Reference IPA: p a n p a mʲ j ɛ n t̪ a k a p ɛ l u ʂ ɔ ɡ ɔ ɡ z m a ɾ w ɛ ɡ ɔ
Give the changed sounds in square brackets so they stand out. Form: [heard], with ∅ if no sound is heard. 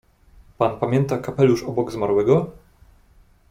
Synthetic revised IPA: p a n p a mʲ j ɛ n t̪ a k a p ɛ l u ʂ ɔ [b] ɔ ɡ z m a ɾ w ɛ ɡ ɔ